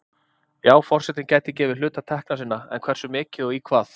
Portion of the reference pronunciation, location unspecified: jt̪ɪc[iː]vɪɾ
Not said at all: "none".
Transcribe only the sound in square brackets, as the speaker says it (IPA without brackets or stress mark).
ɛː